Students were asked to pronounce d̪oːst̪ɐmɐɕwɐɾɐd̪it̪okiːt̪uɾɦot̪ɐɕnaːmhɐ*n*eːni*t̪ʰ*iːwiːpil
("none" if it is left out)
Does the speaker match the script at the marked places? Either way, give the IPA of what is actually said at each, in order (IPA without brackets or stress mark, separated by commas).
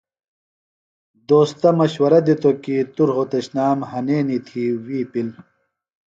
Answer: n, t̪ʰ